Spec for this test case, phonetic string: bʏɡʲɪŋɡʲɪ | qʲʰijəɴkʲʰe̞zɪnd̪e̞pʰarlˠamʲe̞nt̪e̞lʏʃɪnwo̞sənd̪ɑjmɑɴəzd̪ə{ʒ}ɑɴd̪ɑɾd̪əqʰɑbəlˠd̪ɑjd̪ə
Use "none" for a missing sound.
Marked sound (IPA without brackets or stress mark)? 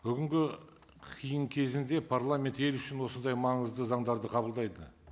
z